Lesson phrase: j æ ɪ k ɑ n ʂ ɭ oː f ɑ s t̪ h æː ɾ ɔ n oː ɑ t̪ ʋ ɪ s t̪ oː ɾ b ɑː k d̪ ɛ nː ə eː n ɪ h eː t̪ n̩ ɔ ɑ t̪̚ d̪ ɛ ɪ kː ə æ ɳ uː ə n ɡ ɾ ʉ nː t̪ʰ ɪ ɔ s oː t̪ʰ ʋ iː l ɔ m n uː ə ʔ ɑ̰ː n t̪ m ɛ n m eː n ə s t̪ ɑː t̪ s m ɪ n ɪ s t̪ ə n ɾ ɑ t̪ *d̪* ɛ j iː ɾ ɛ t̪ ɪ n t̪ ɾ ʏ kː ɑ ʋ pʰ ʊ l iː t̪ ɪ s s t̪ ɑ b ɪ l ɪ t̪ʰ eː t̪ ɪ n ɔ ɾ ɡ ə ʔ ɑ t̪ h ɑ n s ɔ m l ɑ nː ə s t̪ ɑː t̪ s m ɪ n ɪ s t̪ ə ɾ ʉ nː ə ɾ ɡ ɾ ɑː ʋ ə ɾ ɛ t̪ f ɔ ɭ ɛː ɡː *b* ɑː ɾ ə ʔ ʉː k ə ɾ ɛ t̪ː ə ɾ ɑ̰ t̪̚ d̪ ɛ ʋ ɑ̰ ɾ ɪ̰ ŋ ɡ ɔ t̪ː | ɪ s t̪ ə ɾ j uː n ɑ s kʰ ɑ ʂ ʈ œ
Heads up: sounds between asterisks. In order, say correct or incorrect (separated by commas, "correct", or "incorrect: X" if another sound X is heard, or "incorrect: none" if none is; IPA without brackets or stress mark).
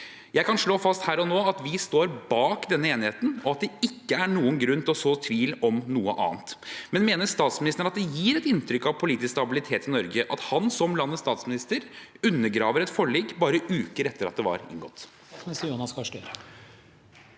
correct, correct